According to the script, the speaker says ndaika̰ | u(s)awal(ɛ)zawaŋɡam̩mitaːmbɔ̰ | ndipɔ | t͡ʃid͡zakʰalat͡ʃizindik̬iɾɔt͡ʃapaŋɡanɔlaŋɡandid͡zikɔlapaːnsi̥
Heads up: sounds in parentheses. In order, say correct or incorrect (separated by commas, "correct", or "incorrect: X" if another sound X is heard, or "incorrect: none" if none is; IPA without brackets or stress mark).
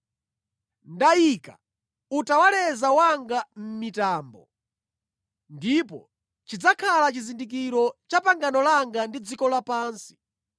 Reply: incorrect: t, correct